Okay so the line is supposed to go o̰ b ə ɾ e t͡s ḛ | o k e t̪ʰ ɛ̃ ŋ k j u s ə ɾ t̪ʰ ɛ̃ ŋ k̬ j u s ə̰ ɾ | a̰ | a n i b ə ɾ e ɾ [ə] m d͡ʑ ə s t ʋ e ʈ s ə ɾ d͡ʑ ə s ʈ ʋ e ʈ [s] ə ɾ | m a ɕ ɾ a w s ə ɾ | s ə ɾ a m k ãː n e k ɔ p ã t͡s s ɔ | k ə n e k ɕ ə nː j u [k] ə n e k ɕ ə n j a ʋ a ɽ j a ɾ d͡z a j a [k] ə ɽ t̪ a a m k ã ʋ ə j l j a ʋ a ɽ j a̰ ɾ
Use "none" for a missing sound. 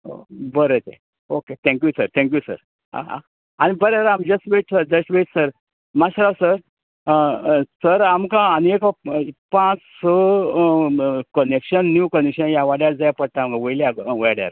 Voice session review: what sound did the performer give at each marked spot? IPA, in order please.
a, s, k, p

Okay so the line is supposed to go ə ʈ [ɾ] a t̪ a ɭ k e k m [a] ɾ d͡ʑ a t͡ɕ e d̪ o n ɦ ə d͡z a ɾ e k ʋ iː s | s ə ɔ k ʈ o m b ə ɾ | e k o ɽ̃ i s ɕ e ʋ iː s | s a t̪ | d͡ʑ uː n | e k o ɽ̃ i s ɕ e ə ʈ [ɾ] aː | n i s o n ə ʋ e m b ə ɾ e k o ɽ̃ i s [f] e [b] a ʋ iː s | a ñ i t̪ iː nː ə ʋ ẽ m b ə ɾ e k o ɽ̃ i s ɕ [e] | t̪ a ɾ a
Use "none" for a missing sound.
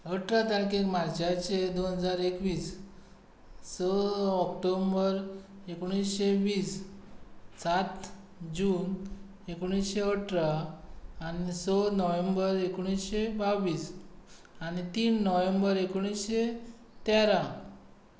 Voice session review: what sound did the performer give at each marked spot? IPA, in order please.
ɾ, a, ɾ, ɕ, b, e

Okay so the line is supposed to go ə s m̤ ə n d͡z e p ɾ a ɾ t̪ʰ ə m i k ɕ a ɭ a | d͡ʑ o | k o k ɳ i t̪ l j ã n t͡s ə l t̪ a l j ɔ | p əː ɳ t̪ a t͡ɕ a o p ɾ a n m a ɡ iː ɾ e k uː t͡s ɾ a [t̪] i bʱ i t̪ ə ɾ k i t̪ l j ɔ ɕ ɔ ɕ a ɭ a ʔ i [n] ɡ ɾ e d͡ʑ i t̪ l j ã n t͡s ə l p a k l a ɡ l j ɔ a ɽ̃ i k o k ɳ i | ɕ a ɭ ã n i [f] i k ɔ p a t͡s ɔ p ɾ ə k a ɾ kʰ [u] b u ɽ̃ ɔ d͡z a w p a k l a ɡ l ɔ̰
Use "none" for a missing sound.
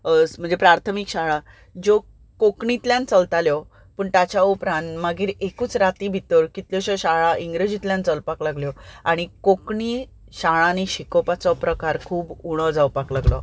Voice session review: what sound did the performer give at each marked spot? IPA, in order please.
t̪, ŋ, ɕ, uː

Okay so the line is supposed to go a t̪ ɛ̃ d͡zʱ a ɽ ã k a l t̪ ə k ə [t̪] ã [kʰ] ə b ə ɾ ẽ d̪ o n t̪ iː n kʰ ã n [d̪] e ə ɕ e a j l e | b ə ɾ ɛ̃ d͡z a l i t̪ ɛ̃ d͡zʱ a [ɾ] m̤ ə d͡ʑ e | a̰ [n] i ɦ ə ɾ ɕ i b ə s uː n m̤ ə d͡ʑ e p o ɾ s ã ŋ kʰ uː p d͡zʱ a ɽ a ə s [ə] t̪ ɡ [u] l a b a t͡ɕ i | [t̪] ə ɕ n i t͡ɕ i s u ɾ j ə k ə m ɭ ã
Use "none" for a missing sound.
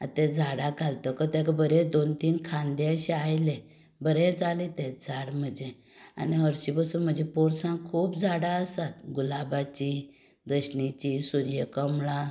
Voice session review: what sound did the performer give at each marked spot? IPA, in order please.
t̪, k, d̪, ɽ, n, a, u, d̪

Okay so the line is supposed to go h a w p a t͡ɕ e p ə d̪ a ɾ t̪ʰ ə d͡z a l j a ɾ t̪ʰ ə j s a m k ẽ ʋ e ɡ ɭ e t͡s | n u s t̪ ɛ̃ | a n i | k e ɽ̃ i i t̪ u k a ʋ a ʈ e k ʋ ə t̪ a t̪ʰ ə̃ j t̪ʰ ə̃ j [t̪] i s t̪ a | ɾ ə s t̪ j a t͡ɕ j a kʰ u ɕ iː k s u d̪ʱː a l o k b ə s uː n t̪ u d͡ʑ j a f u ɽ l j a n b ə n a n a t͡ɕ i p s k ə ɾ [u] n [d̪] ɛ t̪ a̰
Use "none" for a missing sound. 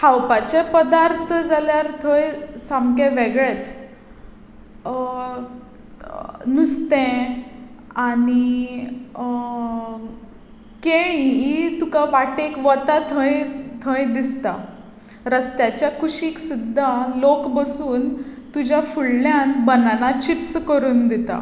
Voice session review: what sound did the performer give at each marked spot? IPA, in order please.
d̪, uː, d̪

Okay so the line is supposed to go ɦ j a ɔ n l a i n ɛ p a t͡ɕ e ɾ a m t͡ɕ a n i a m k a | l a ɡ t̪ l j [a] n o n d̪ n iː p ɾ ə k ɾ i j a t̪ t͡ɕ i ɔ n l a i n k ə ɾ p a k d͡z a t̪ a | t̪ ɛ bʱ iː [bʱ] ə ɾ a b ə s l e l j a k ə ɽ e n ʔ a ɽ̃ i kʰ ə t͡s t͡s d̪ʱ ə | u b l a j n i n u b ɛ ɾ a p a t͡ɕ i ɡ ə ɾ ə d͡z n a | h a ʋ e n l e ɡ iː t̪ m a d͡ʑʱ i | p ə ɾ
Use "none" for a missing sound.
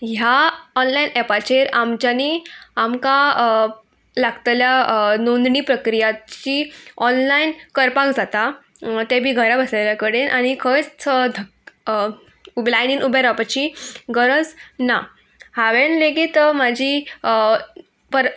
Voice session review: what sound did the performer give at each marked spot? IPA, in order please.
a, ɡʱ

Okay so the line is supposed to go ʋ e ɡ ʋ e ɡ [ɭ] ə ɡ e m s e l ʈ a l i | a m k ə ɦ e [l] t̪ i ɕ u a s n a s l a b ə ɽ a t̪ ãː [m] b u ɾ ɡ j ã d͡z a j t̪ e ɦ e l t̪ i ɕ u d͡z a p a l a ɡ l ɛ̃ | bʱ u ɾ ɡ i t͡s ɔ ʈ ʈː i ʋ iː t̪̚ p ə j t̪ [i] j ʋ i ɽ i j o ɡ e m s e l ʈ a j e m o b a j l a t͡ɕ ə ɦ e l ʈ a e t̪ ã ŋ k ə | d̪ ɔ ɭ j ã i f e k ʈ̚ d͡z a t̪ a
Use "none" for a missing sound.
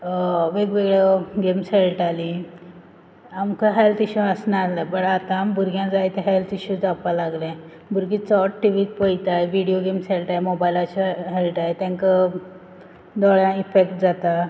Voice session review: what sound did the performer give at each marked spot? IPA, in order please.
ɭ, l, m, a

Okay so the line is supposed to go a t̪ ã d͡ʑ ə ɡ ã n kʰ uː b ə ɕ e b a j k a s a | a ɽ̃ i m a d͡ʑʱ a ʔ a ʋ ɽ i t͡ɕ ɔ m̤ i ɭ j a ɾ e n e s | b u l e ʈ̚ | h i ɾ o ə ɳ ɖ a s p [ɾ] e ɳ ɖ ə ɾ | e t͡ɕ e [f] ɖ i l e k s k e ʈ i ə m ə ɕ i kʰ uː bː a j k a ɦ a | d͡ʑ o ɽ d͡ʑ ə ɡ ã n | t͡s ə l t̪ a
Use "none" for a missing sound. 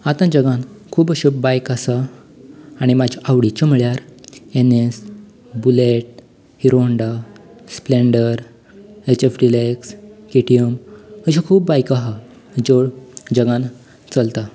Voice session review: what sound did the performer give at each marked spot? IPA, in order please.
l, f

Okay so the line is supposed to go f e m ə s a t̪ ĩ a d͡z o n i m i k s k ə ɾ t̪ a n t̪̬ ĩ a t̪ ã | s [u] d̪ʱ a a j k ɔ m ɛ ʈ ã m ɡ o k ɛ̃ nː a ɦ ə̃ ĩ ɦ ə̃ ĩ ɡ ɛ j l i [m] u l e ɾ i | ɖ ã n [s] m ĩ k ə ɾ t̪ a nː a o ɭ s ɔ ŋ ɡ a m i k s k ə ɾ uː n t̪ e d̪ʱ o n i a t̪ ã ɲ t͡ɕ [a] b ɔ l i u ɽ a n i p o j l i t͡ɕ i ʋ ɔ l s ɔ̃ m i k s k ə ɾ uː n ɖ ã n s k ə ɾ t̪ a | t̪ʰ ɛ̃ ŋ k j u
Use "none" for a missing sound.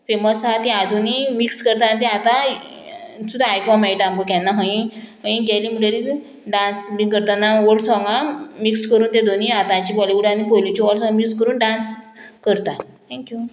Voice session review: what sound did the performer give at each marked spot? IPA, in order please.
u, m, s, i

